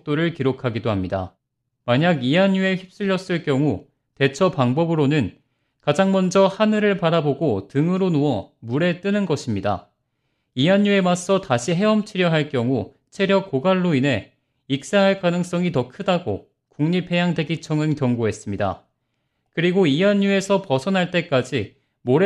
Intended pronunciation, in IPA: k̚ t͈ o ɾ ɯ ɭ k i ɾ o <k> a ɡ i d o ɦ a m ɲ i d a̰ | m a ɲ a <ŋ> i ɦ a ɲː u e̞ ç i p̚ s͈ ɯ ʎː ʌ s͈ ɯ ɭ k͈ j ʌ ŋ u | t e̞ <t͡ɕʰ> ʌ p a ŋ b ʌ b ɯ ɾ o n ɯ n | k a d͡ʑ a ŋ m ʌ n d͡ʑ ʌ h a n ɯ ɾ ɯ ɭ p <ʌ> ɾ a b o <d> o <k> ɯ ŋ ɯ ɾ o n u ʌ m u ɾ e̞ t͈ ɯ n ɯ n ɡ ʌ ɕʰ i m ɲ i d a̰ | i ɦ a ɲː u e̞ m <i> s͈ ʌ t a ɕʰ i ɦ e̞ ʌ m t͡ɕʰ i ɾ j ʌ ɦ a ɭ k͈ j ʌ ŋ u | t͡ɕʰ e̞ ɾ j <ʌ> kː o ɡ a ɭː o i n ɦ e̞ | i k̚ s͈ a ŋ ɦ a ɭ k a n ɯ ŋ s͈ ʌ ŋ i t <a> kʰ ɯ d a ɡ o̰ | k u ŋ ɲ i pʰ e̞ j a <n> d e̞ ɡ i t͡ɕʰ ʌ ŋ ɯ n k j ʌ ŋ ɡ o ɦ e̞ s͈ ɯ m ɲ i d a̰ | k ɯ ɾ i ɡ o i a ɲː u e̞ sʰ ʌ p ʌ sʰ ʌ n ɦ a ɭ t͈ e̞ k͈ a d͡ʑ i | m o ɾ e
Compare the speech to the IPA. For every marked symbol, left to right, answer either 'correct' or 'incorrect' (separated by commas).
incorrect, incorrect, correct, incorrect, incorrect, incorrect, incorrect, correct, incorrect, incorrect